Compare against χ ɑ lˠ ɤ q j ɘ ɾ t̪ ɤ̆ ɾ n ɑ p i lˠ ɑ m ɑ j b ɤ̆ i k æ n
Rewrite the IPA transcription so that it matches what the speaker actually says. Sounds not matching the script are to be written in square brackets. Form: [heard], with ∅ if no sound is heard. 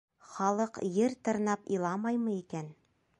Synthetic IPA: χ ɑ lˠ ɤ q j ɘ ɾ t̪ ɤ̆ ɾ n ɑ p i lˠ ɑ m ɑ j [m] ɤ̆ i k æ n